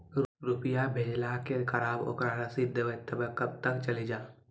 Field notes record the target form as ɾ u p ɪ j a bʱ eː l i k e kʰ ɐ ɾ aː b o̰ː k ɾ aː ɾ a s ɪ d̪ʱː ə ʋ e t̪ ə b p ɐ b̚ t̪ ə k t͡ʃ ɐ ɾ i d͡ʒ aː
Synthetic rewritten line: ɾ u p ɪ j a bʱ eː l a k e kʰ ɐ ɾ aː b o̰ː k ɾ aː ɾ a s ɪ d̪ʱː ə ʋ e t̪ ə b k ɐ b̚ t̪ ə k t͡ʃ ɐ l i d͡ʒ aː